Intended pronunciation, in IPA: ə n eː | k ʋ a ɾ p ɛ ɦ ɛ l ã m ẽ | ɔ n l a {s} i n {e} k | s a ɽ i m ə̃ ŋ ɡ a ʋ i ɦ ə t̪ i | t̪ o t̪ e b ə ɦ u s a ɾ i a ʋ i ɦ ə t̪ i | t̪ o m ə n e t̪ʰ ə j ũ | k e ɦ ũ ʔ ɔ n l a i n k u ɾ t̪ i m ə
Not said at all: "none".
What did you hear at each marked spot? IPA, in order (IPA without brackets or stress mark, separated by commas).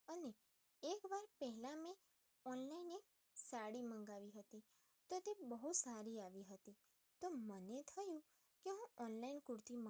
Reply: none, e